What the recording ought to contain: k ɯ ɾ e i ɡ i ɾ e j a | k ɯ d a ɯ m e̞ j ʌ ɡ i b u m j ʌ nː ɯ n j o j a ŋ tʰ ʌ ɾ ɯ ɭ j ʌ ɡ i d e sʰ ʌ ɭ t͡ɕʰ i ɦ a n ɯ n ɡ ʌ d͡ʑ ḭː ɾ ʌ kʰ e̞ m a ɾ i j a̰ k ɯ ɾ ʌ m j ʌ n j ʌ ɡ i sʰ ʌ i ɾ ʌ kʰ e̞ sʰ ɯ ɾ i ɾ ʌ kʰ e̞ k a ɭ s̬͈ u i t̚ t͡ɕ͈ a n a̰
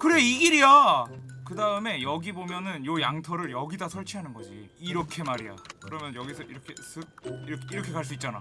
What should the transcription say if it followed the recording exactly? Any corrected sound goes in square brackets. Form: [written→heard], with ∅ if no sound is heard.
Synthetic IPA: k ɯ ɾ e i ɡ i ɾ [e→i] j a | k ɯ d a ɯ m e̞ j ʌ ɡ i b [u→o] m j ʌ [nː→n] ɯ n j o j a ŋ tʰ ʌ ɾ ɯ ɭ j ʌ ɡ i d [e→a] sʰ ʌ ɭ t͡ɕʰ i ɦ a n ɯ n ɡ ʌ d͡ʑ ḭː ɾ ʌ kʰ e̞ m a ɾ i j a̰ k ɯ ɾ ʌ m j ʌ n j ʌ ɡ i sʰ ʌ i ɾ ʌ kʰ e̞ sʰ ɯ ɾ i ɾ ʌ kʰ e̞ k a ɭ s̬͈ u i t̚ t͡ɕ͈ a n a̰